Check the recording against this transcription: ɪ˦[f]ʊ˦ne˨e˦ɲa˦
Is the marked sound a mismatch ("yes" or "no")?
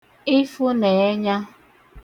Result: no